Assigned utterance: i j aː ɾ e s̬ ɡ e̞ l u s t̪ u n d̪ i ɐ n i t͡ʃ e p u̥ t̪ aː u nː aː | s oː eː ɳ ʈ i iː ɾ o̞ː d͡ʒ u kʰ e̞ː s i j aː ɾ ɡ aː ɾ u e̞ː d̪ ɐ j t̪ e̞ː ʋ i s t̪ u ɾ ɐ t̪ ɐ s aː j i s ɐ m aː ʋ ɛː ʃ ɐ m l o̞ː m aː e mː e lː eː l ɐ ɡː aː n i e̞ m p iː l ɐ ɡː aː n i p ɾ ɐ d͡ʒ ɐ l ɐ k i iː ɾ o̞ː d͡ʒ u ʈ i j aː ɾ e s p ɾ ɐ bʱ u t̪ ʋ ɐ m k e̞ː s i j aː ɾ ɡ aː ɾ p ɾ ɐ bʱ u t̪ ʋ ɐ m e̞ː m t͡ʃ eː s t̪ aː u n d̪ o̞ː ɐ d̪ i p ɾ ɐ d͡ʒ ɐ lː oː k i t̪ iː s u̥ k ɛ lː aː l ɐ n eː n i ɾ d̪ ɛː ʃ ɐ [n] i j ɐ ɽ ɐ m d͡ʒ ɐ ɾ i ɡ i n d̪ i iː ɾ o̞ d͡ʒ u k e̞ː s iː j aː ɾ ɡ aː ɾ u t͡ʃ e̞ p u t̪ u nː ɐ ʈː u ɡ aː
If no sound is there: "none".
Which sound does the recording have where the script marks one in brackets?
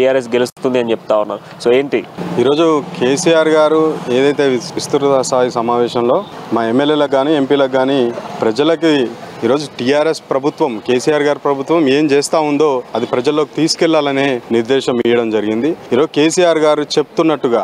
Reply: m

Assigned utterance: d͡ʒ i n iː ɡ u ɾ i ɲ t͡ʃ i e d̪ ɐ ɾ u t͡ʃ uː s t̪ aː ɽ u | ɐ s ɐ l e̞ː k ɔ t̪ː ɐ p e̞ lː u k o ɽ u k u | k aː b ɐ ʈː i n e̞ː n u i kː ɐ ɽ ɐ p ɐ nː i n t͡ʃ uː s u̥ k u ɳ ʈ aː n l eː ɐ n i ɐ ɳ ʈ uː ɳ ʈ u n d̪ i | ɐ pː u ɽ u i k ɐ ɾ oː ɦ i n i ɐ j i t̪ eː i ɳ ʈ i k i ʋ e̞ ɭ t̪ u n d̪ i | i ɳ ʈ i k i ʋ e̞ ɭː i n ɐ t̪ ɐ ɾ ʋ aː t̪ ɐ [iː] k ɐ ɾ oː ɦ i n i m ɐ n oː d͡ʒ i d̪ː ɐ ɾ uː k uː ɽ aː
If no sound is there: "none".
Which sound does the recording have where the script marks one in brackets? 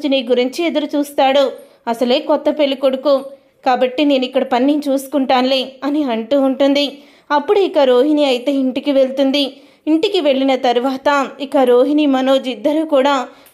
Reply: i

